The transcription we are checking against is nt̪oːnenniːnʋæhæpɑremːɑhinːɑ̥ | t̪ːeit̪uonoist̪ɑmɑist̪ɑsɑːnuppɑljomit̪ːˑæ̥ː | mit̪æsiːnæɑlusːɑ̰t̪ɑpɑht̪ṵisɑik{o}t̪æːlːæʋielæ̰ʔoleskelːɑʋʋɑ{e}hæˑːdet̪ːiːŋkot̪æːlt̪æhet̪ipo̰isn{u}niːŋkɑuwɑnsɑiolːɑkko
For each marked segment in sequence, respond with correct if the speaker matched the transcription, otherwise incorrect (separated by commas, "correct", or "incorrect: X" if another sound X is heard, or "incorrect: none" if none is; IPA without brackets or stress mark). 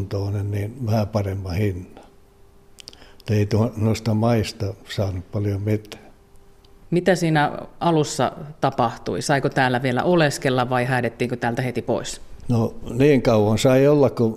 correct, incorrect: i, incorrect: o